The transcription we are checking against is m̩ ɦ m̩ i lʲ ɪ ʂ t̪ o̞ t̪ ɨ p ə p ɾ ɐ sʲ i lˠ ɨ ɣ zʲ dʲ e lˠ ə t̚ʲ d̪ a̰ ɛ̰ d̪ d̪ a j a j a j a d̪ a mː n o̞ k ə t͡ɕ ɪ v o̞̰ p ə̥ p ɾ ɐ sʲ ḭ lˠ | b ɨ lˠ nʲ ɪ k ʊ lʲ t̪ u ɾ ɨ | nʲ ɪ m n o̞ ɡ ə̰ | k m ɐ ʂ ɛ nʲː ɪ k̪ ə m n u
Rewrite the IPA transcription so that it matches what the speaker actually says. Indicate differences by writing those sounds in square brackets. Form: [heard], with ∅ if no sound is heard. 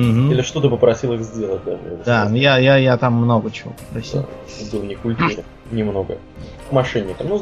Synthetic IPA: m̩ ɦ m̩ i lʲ ɪ ʂ t̪ o̞ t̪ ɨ p ə p ɾ ɐ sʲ i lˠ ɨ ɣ zʲ dʲ e lˠ ə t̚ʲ d̪ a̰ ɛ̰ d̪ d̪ a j a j a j a [t̪] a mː n o̞ [ɡ] ə t͡ɕ ɪ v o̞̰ p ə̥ p ɾ ɐ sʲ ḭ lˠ | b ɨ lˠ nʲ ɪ k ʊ lʲ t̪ u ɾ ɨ | nʲ ɪ m n o̞ ɡ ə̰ | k m ɐ ʂ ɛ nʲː ɪ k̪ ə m n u